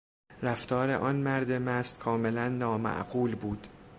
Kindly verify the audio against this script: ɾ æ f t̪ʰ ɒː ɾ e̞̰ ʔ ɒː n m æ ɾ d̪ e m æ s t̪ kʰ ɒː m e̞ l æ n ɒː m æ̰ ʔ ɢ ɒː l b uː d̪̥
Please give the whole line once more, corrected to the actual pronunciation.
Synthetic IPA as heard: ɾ æ f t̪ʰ ɒː ɾ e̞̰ ʔ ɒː n m æ ɾ d̪ e m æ s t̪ kʰ ɒː m e̞ l æ nː ɒː m æ̰ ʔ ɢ uː l b uː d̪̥